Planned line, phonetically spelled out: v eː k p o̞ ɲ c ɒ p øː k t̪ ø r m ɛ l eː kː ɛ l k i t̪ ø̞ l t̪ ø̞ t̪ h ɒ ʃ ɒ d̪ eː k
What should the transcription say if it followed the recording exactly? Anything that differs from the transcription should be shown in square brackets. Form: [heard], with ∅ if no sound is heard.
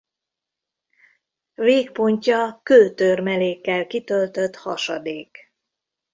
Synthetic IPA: v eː k p o̞ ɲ c ɒ [k] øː [∅] t̪ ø r m ɛ l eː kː ɛ l k i t̪ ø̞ l t̪ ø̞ t̪ h ɒ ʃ ɒ d̪ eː k